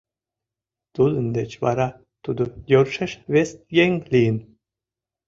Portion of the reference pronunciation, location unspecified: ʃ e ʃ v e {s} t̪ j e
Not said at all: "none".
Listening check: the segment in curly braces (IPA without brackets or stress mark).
s